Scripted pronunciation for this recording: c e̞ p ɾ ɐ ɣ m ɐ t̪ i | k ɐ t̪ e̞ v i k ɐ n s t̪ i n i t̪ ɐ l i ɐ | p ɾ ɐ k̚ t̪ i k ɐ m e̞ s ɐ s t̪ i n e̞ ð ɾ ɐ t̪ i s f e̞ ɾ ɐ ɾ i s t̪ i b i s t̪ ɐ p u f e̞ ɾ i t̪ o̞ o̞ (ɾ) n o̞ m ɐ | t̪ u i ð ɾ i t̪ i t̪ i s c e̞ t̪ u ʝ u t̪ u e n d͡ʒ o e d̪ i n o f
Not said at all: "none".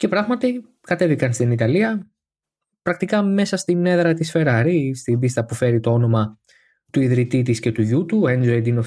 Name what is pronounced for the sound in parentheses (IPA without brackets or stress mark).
none